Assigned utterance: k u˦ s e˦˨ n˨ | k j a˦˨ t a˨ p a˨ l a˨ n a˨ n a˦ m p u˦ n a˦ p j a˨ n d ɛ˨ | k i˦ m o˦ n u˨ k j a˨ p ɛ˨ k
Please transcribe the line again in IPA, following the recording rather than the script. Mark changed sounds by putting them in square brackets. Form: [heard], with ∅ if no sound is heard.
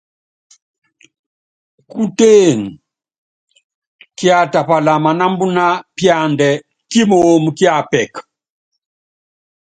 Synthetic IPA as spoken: k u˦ [t] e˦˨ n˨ | k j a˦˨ t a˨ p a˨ l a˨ [m] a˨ n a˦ m [b] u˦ n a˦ p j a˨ n d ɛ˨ | k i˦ m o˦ [m] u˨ k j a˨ p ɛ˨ k